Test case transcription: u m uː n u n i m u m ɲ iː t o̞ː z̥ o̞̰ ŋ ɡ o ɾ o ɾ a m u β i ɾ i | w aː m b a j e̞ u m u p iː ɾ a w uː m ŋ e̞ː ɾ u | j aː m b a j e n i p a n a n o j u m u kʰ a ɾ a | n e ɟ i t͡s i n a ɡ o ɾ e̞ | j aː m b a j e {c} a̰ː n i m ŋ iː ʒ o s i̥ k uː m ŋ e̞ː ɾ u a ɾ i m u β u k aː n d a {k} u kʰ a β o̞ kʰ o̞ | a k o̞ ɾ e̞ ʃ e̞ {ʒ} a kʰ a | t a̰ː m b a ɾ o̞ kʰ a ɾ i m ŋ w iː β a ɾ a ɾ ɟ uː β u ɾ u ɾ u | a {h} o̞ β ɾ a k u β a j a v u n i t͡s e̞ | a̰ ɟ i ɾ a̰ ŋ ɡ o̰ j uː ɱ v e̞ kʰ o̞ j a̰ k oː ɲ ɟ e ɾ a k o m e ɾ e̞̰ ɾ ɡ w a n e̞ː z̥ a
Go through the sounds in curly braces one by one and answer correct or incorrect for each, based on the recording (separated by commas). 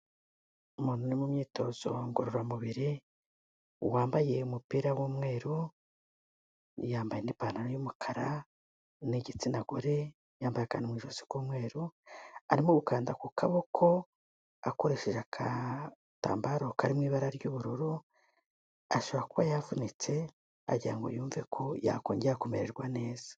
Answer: incorrect, correct, correct, incorrect